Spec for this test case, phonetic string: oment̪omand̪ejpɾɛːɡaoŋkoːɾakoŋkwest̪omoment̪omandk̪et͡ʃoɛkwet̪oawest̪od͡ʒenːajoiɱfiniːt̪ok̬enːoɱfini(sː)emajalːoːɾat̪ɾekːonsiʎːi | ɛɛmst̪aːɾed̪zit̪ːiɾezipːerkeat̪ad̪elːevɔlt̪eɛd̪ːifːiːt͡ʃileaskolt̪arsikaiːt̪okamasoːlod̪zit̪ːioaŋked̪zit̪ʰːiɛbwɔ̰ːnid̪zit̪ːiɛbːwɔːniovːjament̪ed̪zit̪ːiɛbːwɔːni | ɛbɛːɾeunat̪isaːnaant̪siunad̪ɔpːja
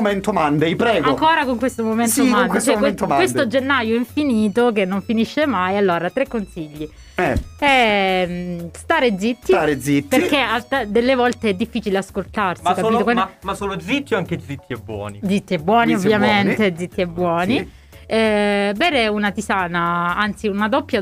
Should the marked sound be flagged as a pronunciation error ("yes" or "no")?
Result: yes